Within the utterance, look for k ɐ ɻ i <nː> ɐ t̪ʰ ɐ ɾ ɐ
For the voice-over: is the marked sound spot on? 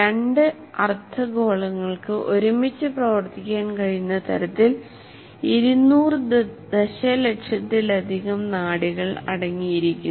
yes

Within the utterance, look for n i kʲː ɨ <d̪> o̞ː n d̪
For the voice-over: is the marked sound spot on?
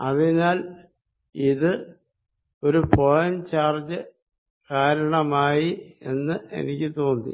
no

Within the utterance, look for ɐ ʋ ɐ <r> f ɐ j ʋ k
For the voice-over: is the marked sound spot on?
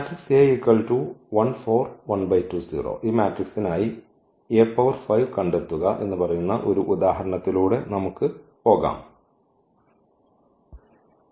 yes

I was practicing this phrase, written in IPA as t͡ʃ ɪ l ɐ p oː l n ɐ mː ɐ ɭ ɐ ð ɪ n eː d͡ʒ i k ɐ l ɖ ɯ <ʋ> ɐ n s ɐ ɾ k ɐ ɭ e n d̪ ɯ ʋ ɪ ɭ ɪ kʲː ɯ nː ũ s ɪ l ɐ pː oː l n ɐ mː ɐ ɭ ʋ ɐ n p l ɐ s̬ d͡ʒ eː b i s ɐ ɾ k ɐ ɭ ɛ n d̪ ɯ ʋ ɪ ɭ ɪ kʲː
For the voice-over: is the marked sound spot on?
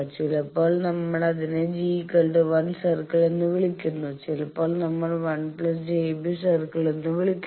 yes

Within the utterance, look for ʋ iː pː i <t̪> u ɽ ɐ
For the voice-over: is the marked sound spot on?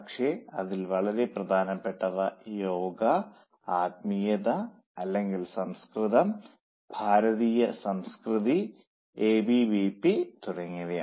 yes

